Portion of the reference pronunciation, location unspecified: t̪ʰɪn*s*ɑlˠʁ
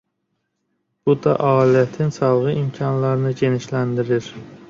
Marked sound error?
no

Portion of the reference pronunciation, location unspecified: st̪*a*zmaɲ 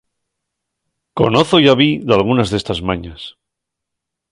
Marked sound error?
no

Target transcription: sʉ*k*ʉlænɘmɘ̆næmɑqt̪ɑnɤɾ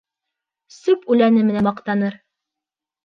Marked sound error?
yes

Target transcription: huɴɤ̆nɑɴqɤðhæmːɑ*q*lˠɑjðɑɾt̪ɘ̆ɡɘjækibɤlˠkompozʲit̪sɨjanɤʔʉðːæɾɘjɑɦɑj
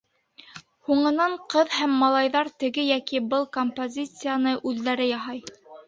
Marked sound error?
yes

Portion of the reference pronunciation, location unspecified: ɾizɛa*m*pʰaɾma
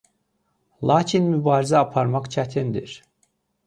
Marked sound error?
yes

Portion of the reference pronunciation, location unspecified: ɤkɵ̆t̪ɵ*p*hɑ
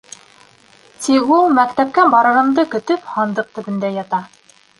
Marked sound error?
no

